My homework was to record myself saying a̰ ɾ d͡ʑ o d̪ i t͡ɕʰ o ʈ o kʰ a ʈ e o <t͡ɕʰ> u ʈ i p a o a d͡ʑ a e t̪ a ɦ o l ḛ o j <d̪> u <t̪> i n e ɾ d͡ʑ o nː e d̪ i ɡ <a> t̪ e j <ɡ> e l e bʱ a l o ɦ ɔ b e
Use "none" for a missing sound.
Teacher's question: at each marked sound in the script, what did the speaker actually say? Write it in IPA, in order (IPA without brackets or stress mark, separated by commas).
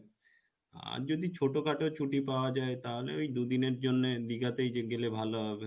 t͡ɕʰ, d̪, d̪, a, ɡ